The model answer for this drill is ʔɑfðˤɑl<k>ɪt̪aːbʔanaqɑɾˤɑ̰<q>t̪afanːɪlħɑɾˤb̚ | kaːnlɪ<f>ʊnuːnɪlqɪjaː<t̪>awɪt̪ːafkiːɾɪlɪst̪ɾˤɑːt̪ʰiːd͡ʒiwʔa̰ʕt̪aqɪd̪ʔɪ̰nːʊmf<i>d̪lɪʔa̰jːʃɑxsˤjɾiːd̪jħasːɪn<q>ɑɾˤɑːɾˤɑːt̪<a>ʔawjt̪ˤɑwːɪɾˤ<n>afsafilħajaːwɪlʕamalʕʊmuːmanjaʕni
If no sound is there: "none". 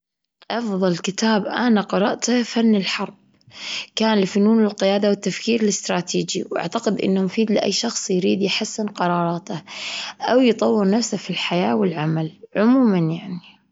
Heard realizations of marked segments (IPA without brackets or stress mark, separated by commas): k, ʔ, f, d̪, iː, q, a, n